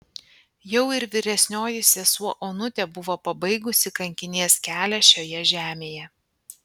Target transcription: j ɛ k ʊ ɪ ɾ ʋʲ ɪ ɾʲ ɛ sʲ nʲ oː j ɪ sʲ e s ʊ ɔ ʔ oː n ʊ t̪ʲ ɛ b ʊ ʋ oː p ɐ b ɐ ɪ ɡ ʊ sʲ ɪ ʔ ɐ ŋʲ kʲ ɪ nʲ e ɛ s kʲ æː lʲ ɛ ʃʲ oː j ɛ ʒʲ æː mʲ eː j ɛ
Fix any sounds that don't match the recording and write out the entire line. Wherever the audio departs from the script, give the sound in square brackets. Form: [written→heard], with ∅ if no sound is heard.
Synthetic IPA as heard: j ɛ [k→∅] ʊ ɪ ɾ ʋʲ ɪ ɾʲ ɛ sʲ nʲ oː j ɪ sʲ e s [ʊ→u] ɔ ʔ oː n ʊ t̪ʲ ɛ b ʊ ʋ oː p ɐ b ɐ ɪ ɡ ʊ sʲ ɪ [ʔ→k] ɐ ŋʲ kʲ ɪ nʲ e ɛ s kʲ æː lʲ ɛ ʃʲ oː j ɛ ʒʲ æː mʲ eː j ɛ